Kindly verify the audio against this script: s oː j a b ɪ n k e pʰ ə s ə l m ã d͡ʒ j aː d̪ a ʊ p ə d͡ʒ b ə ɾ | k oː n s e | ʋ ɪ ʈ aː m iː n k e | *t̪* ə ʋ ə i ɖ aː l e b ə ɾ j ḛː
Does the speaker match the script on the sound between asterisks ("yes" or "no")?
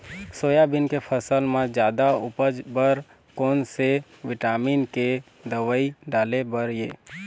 no